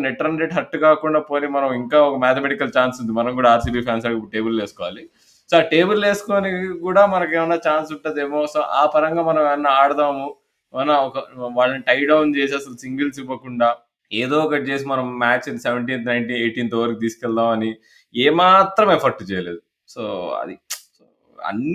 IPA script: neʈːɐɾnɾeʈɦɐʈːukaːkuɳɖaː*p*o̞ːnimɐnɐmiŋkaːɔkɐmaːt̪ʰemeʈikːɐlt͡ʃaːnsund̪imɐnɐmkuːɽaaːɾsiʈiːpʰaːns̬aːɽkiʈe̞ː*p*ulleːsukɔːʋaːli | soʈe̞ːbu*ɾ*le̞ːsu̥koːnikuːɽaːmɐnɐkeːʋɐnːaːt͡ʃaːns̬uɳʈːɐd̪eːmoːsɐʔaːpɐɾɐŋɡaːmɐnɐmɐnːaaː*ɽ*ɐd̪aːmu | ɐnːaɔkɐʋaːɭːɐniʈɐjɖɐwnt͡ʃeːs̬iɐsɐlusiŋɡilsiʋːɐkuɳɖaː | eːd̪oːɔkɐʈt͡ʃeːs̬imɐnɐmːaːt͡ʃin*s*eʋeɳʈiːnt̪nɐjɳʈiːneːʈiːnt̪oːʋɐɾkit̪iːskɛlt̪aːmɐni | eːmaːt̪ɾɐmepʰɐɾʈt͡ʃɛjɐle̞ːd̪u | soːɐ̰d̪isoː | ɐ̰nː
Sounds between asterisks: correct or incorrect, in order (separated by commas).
correct, incorrect, incorrect, correct, correct